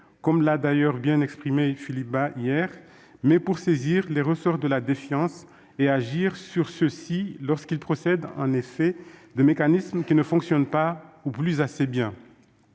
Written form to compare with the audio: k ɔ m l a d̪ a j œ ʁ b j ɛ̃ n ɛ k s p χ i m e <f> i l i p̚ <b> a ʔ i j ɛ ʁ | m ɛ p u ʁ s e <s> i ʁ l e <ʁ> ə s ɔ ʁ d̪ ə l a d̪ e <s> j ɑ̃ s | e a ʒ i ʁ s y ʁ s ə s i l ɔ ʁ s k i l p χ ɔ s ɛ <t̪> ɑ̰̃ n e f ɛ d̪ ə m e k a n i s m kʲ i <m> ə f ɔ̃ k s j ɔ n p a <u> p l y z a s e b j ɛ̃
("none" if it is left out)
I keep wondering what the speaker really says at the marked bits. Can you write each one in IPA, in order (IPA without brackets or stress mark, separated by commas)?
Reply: f, b, z, ʁ, f, d̪, n, u